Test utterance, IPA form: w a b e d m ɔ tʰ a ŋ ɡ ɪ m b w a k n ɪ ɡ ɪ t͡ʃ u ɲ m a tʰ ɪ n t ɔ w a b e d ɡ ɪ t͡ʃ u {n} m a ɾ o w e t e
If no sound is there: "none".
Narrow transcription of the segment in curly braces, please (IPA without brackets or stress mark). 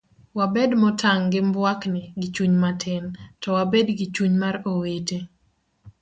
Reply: ɲ